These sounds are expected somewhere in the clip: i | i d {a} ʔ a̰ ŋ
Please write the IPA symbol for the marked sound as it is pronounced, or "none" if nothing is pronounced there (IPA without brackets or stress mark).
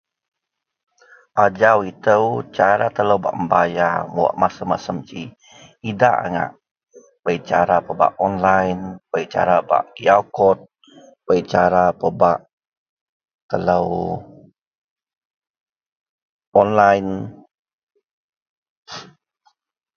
a